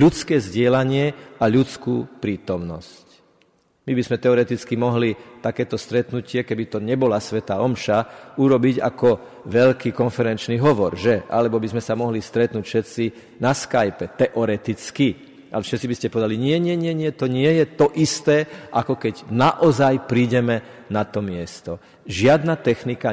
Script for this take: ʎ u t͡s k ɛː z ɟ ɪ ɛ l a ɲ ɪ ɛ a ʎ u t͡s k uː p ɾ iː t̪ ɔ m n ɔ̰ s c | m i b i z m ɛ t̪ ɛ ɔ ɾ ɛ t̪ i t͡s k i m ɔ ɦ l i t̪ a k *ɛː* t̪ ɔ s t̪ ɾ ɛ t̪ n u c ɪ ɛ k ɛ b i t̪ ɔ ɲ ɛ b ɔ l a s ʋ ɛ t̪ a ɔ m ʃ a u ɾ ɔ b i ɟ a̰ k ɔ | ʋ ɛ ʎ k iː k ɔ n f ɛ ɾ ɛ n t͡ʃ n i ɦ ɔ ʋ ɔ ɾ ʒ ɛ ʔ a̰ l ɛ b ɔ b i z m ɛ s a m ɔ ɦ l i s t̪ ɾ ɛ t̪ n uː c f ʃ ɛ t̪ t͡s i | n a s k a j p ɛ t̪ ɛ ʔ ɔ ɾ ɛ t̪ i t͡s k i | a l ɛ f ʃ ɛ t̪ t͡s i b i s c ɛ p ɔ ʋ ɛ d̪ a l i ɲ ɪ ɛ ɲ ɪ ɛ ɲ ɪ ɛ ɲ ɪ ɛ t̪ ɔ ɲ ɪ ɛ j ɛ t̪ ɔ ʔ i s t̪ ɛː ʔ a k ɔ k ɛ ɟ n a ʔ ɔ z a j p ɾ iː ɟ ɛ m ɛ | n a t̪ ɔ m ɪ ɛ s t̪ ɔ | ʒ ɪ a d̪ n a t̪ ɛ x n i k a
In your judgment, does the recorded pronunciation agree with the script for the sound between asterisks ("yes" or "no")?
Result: yes